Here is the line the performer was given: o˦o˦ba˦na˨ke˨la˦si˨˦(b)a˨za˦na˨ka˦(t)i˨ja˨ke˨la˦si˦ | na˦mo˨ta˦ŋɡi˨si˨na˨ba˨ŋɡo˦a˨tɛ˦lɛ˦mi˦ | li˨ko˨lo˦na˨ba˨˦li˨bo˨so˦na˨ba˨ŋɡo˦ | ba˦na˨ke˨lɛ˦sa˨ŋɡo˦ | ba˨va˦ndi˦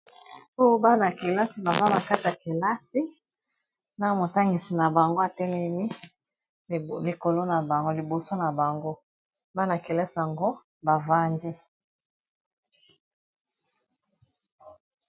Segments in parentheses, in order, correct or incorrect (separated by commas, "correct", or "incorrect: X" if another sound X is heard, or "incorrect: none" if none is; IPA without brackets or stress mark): correct, correct